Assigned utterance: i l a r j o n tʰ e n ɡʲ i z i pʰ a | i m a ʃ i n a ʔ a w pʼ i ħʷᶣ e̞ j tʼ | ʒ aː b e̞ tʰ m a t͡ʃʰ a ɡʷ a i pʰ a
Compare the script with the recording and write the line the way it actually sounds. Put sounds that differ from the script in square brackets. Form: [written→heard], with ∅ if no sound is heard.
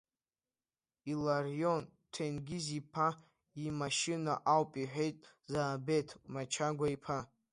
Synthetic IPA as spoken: i l a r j o n tʰ e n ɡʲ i z i pʰ a | i m a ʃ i n a ʔ a w pʼ i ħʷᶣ e̞ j tʼ | [ʒ→z] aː b e̞ tʰ m a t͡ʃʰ a ɡʷ a i pʰ a